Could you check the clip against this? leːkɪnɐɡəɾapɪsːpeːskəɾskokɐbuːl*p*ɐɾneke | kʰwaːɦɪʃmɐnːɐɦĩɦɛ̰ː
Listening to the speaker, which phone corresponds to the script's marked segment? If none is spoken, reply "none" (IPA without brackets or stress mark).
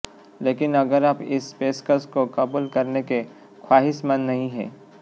k